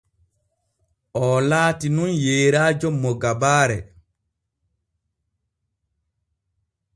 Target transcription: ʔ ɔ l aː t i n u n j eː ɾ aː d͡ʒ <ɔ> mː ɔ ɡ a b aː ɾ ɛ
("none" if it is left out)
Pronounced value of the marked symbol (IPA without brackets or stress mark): ɔ